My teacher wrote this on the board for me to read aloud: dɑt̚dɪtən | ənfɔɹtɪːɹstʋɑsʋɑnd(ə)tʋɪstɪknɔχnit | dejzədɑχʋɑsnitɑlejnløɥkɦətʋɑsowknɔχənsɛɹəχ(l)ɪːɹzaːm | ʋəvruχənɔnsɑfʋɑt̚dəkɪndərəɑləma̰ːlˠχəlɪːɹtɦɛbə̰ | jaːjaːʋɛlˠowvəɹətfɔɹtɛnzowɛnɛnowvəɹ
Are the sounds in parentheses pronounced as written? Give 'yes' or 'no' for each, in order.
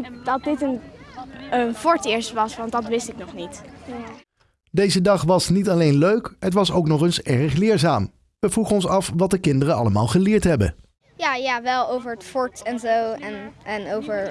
no, yes

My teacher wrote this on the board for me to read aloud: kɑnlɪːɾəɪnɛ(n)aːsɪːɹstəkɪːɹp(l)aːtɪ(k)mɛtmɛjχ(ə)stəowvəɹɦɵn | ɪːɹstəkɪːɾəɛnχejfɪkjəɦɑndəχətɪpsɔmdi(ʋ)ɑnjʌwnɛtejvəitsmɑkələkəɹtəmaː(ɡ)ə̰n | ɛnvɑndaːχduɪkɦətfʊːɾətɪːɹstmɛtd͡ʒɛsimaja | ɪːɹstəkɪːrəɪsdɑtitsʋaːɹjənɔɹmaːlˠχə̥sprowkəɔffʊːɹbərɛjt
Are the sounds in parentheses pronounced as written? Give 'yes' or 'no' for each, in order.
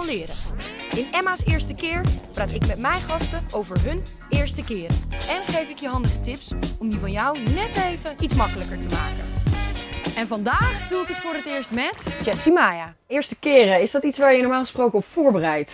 no, no, yes, no, no, no

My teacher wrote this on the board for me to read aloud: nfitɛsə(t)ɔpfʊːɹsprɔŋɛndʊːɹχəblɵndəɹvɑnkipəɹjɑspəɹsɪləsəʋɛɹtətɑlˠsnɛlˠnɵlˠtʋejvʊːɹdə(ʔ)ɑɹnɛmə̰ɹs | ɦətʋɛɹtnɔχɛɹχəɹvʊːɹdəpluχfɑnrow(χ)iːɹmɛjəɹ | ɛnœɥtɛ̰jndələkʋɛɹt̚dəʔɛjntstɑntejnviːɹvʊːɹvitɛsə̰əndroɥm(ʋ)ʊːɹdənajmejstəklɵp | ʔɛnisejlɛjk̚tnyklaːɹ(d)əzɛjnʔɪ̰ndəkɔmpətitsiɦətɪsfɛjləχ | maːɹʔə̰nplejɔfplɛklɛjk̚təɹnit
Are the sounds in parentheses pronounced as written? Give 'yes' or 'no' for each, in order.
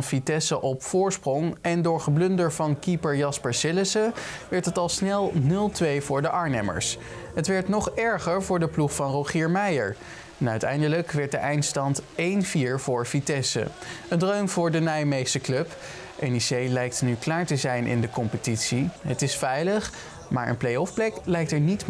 no, yes, yes, no, no

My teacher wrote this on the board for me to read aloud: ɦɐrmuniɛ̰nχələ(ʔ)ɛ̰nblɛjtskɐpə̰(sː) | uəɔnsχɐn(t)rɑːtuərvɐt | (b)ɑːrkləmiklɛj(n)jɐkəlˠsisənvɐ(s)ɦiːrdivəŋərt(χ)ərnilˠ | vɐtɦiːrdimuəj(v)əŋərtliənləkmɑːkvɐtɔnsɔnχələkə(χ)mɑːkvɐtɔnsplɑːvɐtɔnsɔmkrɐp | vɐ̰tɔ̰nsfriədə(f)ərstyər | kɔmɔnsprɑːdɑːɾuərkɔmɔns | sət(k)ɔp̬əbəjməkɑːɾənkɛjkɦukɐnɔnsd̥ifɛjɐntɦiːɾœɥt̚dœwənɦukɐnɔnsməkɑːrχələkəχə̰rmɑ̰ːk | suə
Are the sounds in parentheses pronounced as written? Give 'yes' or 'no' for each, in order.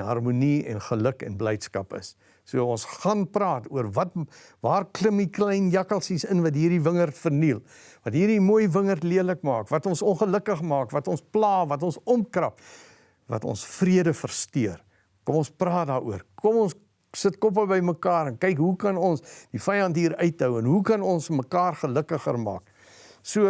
no, yes, no, no, yes, no, no, yes, yes, yes, yes

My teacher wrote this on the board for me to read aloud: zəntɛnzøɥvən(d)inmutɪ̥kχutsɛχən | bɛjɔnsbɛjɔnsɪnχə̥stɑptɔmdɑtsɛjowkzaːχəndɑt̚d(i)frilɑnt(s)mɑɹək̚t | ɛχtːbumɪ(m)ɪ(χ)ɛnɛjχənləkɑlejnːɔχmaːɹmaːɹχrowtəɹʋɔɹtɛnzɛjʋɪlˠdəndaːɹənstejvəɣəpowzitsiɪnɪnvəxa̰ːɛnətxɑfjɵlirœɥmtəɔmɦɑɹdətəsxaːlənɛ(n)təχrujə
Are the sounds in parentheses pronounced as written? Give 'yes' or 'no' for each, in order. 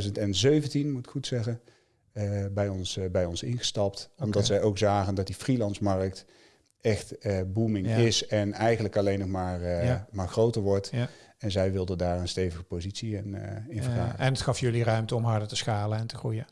no, yes, yes, no, no, yes

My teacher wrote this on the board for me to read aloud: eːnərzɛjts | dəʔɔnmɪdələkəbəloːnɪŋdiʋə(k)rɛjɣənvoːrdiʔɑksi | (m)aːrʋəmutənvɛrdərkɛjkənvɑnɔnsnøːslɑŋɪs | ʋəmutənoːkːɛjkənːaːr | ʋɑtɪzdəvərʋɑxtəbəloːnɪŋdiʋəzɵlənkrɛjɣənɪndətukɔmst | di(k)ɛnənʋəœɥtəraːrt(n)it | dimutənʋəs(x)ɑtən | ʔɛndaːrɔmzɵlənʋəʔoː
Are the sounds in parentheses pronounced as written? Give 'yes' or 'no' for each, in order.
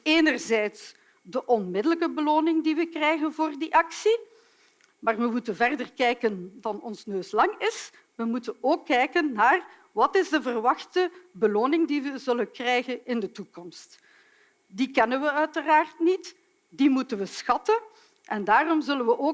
yes, yes, yes, yes, yes

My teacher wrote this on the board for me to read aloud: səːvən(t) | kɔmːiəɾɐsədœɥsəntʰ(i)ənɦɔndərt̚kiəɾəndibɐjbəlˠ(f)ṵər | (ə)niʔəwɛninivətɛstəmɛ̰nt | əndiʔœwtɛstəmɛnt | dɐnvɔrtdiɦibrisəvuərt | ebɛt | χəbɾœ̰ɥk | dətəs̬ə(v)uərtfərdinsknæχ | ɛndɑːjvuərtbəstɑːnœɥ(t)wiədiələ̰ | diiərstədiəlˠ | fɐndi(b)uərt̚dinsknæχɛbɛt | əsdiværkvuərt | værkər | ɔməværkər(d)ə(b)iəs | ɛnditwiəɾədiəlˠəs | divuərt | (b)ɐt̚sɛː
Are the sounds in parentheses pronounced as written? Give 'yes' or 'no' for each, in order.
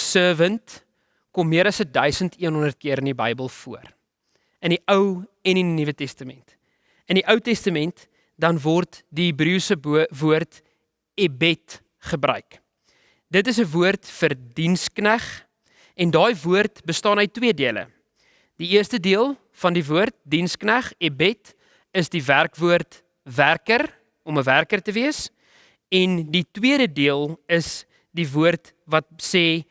yes, yes, yes, yes, yes, yes, no, no, no, no

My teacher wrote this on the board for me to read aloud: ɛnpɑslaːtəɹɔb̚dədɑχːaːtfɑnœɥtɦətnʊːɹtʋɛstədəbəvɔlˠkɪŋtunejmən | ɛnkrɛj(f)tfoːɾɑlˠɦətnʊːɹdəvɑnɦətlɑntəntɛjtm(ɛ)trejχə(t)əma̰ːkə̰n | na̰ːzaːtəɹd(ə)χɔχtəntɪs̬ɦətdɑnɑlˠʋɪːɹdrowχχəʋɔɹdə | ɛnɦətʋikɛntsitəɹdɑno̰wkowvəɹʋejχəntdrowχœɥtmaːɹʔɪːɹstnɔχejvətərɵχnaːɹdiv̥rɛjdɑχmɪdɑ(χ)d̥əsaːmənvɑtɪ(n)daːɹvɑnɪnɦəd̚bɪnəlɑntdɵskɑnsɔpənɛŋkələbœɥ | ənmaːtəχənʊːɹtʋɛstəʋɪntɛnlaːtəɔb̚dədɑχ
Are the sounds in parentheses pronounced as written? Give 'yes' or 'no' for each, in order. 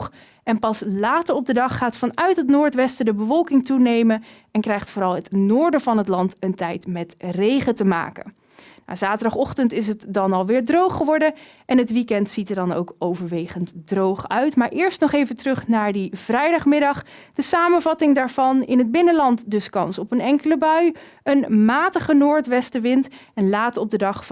no, yes, yes, no, yes, no

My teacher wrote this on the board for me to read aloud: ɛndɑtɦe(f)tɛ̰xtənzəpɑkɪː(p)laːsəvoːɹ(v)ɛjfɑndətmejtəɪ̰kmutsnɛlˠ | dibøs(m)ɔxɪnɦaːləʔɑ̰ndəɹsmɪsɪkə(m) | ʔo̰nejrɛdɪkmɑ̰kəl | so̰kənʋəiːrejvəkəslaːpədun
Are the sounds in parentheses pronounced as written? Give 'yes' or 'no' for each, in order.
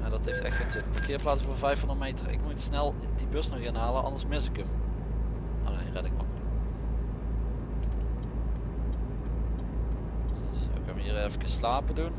yes, yes, yes, no, yes

